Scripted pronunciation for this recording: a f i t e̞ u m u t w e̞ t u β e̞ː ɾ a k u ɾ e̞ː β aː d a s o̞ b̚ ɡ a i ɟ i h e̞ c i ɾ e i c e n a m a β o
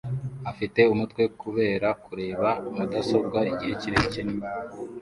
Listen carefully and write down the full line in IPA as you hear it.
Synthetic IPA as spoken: a f i t e̞ u m u t w e̞ k u β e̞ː ɾ a k u ɾ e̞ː β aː d a s o̞ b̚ ɡ a i ɟ i h e̞ c i ɾ e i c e n i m a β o